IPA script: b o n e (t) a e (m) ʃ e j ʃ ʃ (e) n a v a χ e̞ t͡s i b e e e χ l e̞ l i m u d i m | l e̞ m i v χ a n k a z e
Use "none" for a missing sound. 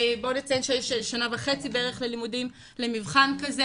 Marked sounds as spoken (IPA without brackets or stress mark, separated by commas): t͡s, n, a